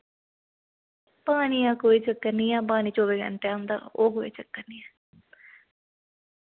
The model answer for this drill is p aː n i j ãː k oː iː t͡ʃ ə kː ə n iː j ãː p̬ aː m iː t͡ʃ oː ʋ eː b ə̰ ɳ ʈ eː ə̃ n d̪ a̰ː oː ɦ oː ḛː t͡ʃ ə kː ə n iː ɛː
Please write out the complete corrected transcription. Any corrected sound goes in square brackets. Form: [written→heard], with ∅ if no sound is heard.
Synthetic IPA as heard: p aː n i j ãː k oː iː t͡ʃ ə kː ə n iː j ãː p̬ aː [m→n] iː t͡ʃ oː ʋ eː [b→ɡ] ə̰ ɳ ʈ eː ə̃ n d̪ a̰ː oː ɦ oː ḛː t͡ʃ ə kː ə n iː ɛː